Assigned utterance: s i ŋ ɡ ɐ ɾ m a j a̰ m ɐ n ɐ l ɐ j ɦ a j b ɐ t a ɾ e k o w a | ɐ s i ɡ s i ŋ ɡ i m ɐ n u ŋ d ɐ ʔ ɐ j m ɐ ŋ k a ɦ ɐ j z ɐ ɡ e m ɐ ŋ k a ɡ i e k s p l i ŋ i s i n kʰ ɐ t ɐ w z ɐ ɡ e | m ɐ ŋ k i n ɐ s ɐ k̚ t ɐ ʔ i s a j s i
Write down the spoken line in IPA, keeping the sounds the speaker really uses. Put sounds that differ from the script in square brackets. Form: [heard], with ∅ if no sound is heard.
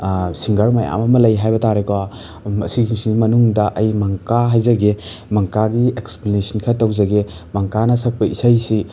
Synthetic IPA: s i ŋ ɡ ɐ ɾ m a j a̰ m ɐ [m] ɐ l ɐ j ɦ a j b ɐ t a ɾ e k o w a | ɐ s i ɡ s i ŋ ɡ i m ɐ n u ŋ d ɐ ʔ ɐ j m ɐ ŋ k a ɦ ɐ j z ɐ ɡ e m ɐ ŋ k a ɡ i e k s p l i [n] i s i n kʰ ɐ t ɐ w z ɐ ɡ e | m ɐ ŋ k [a] n ɐ s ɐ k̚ [p] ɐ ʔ i s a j s i

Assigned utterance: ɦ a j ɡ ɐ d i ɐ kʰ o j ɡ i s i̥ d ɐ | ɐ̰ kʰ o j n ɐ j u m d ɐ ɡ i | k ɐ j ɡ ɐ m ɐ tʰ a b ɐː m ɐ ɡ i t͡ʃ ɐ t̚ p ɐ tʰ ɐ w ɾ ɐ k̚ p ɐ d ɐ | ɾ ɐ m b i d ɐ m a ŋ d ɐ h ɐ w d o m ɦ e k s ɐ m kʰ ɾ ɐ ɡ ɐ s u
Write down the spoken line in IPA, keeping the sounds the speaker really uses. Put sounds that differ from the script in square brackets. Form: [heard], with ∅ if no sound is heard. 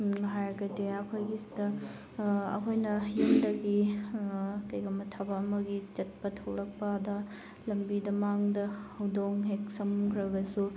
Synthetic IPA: ɦ a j ɡ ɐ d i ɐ kʰ o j ɡ i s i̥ d ɐ | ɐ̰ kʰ o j n ɐ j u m d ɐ ɡ i | k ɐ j ɡ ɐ m ɐ tʰ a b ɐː m ɐ ɡ i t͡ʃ ɐ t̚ p ɐ tʰ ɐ w ɾ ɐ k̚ p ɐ d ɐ | [l] ɐ m b i d ɐ m a ŋ d ɐ h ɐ w d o [ŋ] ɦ e k s ɐ m kʰ ɾ ɐ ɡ ɐ s u

